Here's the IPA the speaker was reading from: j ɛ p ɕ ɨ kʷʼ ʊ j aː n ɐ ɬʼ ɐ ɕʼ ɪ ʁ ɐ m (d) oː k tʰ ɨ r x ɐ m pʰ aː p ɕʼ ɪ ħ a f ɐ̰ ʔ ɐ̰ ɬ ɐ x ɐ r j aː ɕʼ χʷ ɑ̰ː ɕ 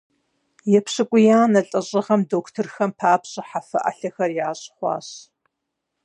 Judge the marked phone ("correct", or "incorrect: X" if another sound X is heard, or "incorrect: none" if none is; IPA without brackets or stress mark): correct